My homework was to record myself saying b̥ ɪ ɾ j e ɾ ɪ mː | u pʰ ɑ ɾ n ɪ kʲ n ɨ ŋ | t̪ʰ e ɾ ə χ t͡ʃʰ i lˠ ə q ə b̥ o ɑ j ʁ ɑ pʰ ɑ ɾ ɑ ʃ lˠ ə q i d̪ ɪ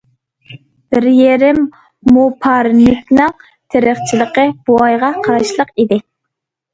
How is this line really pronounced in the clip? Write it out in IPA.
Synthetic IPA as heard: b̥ ɪ ɾ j e ɾ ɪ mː | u pʰ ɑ ɾ n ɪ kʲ n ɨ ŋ | t̪ʰ e ɾ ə χ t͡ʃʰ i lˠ ə q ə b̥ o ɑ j ʁ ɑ qʰ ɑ ɾ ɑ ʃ lˠ ə q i d̪ ɪ